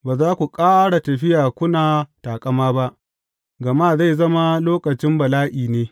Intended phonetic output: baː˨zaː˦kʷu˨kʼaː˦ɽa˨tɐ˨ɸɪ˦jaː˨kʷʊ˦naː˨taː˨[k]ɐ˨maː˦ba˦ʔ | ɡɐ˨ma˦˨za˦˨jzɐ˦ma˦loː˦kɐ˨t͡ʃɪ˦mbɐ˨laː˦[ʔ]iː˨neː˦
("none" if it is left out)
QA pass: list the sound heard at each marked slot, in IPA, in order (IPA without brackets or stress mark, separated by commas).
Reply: kʼ, ʔ